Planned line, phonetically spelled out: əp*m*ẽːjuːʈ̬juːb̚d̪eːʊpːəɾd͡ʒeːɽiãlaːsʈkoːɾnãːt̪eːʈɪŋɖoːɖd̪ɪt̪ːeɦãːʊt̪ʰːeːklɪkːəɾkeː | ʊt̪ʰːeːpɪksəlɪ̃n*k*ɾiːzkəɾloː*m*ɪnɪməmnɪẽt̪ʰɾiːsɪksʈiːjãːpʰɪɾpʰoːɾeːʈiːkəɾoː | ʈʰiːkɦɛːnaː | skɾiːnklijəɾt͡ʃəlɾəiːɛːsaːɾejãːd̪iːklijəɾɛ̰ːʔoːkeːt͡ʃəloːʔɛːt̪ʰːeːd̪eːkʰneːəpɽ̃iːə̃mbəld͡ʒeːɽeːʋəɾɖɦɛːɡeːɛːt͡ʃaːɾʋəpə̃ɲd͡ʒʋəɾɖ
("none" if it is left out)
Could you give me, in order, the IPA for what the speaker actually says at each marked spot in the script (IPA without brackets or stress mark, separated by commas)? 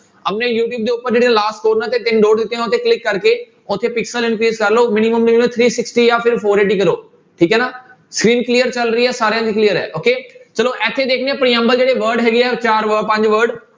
n, k, m